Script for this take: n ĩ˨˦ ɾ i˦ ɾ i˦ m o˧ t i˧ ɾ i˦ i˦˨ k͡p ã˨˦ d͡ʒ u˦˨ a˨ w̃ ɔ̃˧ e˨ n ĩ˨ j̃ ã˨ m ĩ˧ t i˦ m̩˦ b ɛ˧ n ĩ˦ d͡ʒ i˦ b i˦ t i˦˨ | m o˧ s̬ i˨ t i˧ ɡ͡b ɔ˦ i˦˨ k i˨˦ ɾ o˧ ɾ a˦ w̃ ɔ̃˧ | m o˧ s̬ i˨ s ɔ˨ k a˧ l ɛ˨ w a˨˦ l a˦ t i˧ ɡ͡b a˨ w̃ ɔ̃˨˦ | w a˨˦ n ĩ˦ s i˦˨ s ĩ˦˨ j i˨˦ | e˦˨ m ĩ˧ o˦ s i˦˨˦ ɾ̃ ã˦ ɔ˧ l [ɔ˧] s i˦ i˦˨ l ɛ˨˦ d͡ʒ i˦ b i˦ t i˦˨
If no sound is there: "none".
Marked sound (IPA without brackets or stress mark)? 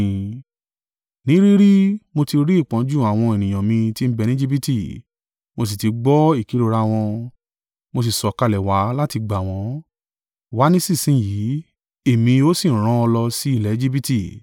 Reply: ɔ˧